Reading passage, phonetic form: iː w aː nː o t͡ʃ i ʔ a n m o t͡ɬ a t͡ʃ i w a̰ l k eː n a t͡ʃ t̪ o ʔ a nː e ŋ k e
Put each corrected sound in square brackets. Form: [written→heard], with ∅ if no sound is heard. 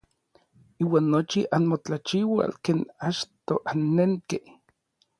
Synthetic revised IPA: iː w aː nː o t͡ʃ i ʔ a n m o t͡ɬ a t͡ʃ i w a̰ l k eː n a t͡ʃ t̪ o ʔ a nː e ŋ k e